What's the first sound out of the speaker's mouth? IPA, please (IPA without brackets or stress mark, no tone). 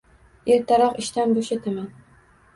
e